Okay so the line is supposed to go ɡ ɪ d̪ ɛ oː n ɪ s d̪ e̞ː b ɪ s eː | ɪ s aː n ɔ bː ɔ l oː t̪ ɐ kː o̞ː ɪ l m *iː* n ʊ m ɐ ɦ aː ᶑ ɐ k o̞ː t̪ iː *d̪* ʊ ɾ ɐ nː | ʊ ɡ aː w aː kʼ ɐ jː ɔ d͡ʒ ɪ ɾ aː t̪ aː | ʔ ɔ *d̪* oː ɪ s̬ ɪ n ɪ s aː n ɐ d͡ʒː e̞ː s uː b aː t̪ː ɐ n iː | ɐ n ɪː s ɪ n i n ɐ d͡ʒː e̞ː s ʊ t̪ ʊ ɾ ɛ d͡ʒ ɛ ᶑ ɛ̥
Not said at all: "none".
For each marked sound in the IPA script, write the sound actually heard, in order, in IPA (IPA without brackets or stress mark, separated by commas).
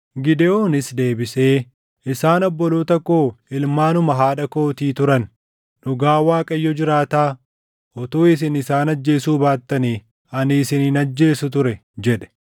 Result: aː, t̪, t̪